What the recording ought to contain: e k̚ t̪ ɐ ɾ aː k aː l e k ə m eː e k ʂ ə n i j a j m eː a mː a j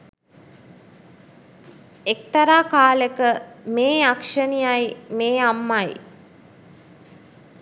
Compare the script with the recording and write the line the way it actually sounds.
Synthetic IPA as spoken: e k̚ t̪ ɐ ɾ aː k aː l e k ə m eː a k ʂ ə n i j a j m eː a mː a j